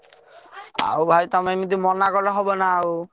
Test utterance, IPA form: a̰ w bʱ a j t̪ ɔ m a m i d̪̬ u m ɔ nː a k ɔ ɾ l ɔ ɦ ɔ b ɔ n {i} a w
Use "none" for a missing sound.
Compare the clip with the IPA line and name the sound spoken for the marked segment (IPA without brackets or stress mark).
a